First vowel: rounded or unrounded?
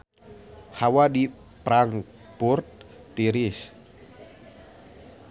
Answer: unrounded